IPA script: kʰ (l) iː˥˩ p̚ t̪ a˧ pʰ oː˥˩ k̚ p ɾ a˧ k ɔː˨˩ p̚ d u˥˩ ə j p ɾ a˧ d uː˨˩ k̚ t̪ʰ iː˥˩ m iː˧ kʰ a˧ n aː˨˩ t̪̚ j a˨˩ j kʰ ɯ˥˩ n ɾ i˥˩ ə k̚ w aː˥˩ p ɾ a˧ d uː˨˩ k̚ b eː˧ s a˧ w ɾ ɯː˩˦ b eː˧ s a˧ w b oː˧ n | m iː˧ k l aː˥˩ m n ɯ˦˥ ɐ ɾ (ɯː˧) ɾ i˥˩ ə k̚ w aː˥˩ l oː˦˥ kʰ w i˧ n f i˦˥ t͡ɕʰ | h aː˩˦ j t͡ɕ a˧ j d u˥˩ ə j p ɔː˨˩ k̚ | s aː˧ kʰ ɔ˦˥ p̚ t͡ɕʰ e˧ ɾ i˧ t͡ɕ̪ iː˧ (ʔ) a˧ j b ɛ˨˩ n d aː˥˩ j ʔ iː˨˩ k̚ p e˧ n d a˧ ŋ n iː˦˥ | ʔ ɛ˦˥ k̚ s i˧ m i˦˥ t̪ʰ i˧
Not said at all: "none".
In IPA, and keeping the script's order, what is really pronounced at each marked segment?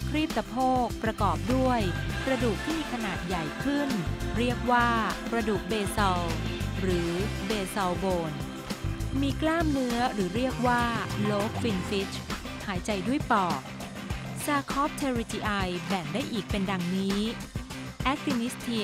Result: ɾ, ɯː˩˦, ʔ

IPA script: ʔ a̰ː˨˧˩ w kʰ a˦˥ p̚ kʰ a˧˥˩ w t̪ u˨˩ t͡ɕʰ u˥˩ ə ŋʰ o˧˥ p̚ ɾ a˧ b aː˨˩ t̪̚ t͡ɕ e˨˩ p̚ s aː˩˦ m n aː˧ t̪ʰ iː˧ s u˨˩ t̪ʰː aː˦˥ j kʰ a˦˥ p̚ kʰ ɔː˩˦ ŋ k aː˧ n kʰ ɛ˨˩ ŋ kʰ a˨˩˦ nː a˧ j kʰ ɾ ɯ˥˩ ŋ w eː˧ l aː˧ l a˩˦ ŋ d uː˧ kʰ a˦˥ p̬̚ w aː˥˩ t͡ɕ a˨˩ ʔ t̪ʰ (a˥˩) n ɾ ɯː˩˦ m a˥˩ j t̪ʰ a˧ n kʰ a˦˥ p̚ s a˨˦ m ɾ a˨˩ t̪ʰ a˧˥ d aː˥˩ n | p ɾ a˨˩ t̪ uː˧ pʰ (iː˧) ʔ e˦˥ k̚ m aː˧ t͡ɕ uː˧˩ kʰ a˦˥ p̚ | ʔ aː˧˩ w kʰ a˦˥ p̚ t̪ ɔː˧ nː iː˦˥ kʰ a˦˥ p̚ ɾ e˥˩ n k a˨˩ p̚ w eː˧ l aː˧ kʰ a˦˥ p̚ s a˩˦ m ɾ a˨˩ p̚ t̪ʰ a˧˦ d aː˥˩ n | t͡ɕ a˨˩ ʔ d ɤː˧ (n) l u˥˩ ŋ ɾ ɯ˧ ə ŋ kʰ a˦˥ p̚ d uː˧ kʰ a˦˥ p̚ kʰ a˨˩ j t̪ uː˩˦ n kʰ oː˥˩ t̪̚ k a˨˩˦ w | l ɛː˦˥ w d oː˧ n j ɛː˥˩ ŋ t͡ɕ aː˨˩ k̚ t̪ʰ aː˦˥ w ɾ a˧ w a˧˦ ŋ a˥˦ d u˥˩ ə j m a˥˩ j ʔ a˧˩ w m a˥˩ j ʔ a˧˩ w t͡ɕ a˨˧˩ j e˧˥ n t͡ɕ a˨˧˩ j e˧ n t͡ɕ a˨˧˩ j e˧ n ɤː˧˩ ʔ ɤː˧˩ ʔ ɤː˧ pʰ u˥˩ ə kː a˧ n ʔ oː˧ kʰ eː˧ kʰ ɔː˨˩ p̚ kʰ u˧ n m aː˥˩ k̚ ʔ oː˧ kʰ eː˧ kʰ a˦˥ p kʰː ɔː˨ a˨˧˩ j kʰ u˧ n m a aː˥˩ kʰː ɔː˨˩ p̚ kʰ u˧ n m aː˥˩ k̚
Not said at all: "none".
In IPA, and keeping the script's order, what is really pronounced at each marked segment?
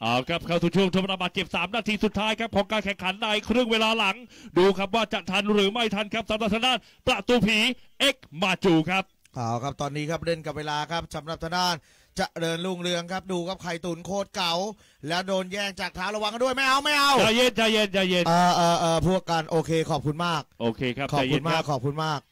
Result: a˧, iː˩˦, n

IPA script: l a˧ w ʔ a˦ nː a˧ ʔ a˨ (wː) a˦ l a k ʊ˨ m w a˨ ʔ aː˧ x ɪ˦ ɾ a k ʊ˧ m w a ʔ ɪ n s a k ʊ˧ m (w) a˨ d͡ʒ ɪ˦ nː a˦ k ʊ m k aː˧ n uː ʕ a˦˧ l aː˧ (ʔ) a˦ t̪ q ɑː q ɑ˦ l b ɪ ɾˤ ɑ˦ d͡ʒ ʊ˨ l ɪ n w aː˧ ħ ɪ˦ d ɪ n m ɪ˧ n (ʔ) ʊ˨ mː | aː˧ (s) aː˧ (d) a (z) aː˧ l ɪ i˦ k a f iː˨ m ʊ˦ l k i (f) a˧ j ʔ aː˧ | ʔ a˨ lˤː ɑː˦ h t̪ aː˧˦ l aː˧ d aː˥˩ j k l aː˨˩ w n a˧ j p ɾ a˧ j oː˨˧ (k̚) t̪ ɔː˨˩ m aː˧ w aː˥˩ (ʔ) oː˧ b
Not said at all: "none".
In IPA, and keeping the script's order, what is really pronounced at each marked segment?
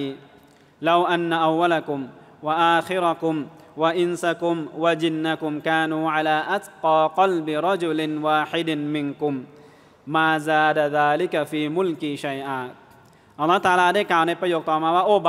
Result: wː, w, ʔ, k, z, d, ð, ʃ, k̚, ʔ

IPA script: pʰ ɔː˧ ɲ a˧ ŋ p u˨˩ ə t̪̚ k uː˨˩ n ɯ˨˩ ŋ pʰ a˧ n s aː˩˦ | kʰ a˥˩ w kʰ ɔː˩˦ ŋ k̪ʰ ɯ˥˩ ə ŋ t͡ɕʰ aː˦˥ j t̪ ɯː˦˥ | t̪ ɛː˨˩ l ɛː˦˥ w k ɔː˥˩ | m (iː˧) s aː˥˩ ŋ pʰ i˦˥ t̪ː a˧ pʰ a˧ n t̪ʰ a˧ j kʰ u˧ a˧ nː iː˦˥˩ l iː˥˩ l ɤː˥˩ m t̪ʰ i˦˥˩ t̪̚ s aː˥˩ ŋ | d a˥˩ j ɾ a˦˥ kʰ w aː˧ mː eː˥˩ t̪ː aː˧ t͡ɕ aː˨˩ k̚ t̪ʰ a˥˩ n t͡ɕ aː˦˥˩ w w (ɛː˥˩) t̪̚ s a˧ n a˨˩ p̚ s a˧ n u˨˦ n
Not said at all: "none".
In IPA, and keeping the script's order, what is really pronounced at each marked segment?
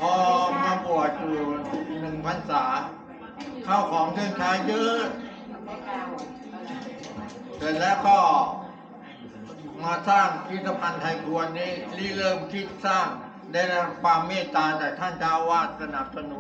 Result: aː˧, aː˥˩

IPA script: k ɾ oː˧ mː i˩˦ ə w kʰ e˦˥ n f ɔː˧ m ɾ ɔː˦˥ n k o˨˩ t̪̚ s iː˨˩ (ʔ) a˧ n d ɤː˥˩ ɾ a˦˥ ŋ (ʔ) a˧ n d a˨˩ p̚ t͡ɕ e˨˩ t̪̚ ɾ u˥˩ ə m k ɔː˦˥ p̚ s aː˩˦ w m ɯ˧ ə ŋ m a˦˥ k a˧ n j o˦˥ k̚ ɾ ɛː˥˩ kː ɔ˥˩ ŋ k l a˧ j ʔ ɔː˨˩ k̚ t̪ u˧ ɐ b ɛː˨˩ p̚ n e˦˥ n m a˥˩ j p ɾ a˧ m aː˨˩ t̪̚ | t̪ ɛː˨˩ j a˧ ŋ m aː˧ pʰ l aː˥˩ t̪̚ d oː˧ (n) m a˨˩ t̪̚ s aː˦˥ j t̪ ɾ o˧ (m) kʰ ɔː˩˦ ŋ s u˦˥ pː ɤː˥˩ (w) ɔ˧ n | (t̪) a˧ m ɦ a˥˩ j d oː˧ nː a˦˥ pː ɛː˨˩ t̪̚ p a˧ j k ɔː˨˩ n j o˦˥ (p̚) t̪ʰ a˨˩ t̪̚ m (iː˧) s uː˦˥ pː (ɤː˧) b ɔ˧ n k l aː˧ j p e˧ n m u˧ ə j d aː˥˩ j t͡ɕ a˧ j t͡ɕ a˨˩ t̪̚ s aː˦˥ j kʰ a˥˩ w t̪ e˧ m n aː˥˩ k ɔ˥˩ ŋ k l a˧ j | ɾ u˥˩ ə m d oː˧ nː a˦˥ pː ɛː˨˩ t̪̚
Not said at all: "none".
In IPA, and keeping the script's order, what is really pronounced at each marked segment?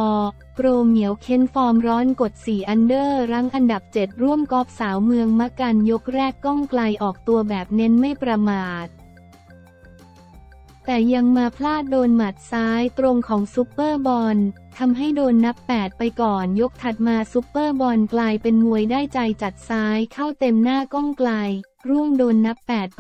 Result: ʔ, ʔ, n, ŋ, b, t̪ʰ, k̚, aː˧, ɤː˥˩

